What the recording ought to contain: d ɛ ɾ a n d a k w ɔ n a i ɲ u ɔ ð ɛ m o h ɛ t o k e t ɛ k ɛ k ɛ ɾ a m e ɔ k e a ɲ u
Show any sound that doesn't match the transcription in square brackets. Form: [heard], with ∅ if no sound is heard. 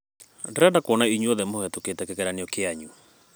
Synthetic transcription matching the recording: d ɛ ɾ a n d a k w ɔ n a i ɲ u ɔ ð ɛ m o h ɛ t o k e t ɛ k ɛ k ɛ ɾ a [n] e ɔ k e a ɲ u